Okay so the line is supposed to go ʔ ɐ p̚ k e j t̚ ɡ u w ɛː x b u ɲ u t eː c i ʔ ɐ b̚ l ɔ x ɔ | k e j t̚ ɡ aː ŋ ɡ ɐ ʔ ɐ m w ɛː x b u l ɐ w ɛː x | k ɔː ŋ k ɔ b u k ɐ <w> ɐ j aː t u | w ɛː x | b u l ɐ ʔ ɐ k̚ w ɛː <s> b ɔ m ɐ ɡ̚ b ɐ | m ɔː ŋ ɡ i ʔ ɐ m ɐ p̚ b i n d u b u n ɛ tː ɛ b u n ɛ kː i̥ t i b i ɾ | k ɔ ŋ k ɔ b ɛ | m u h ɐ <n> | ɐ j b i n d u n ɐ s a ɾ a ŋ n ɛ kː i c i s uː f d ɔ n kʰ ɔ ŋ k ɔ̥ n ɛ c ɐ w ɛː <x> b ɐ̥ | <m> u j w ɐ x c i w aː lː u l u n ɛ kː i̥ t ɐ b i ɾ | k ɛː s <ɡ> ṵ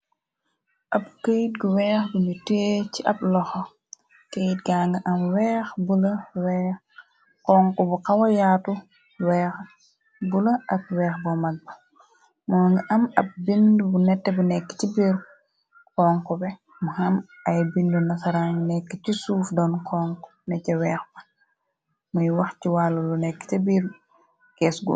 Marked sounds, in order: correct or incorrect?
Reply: correct, incorrect, incorrect, correct, correct, correct

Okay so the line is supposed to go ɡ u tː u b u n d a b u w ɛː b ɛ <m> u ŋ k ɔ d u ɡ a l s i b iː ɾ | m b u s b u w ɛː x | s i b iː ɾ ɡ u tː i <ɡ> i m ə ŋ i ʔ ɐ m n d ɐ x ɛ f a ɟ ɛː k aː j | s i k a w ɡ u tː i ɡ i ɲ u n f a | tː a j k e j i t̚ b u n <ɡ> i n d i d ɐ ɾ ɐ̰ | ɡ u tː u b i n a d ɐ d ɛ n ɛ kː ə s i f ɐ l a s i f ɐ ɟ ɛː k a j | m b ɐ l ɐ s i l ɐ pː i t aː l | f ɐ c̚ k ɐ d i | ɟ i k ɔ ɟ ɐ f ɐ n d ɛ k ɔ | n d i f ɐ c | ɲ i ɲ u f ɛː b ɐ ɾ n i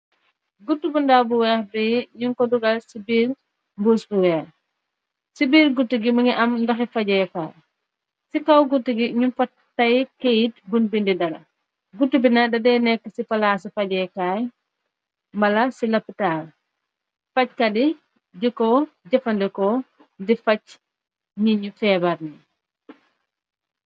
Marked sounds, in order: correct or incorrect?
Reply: incorrect, correct, incorrect

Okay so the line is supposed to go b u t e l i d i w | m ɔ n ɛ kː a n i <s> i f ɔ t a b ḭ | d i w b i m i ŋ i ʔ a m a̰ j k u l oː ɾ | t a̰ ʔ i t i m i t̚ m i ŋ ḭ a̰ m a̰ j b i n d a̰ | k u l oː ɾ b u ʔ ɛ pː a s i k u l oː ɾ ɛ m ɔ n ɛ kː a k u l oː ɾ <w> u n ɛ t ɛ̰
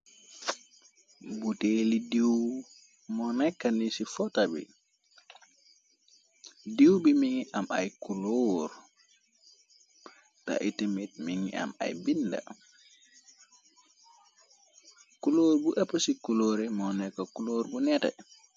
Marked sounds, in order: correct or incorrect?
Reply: correct, incorrect

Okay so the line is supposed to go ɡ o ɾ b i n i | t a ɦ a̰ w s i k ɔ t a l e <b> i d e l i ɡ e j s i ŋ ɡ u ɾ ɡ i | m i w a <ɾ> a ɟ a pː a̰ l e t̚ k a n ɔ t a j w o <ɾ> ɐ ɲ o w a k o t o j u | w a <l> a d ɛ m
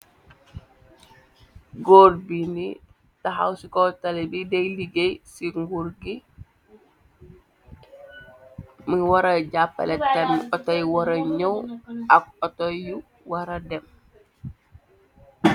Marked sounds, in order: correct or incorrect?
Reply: correct, correct, correct, incorrect

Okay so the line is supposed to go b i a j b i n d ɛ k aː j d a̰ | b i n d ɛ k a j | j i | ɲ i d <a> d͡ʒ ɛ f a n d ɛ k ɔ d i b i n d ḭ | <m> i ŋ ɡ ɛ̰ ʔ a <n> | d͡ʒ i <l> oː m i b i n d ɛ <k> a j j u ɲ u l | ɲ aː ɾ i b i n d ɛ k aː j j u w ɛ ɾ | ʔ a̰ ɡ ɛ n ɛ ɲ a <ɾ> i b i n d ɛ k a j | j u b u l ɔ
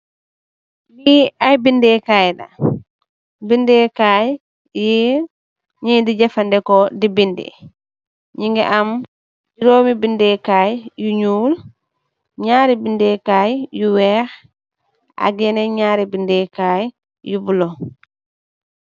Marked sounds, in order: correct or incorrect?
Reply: incorrect, incorrect, incorrect, incorrect, correct, correct

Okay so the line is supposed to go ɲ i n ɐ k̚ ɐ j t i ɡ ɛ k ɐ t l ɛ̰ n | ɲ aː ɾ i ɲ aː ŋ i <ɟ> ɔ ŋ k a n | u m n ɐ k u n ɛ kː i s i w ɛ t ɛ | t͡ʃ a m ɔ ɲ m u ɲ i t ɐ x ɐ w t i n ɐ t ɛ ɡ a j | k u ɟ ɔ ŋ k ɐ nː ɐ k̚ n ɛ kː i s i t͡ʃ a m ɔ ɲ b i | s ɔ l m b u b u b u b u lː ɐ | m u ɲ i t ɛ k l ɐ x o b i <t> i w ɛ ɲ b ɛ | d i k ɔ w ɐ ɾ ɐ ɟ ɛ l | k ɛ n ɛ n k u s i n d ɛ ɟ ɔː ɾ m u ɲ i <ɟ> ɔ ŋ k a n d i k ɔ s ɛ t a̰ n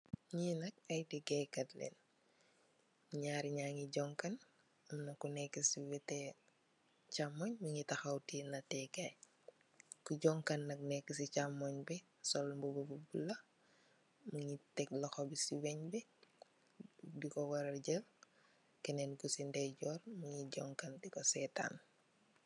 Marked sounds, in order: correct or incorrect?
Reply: correct, incorrect, correct

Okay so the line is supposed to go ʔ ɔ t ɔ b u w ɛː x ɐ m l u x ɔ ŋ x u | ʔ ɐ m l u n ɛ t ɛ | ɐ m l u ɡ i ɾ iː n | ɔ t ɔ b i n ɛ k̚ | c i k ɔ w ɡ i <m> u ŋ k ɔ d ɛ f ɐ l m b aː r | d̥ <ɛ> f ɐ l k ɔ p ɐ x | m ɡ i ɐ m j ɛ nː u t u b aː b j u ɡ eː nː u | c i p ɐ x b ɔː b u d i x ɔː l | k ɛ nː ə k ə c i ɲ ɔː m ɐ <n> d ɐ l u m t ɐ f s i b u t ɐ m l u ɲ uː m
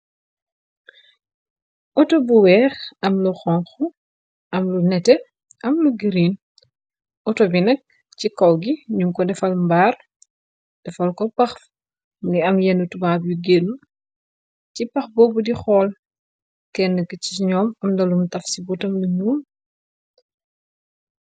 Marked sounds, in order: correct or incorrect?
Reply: incorrect, correct, incorrect

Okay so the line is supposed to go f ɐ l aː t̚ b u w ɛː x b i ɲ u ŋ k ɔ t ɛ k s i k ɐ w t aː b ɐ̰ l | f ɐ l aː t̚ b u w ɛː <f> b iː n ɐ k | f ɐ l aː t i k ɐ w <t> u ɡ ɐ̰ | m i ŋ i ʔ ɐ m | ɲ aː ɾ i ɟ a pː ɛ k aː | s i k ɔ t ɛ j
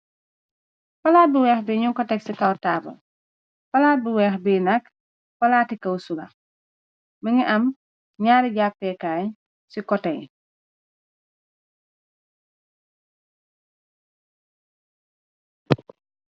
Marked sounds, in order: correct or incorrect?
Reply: incorrect, incorrect

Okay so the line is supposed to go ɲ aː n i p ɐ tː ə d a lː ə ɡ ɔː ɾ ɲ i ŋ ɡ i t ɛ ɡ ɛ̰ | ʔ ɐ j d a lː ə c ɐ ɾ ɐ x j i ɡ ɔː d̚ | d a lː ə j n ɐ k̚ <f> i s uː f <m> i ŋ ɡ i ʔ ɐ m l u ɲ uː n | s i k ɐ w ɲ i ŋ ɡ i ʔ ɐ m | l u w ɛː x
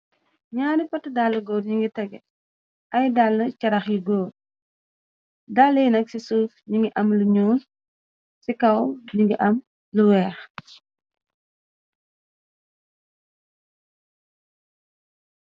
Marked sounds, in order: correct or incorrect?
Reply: incorrect, incorrect

